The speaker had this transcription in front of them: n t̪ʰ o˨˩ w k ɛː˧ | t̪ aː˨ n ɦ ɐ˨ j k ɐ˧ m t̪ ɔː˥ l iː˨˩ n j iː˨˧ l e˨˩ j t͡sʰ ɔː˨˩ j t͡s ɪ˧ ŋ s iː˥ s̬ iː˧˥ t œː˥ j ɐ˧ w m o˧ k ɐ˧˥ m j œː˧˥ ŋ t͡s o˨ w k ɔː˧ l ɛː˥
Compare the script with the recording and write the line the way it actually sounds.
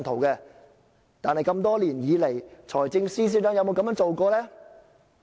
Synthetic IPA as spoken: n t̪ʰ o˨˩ w k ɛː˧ | t̪ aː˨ n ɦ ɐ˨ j k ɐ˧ m t̪ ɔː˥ l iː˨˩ n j iː˨˧ l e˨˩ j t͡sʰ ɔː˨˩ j t͡s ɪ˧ ŋ s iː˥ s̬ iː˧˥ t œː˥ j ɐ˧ w m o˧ k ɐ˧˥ m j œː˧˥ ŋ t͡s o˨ w k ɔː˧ l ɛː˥